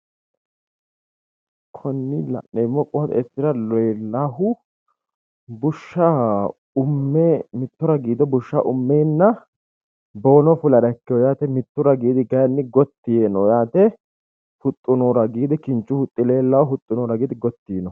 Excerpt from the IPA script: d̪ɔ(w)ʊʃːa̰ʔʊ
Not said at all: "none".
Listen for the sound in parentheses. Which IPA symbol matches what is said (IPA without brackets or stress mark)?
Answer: b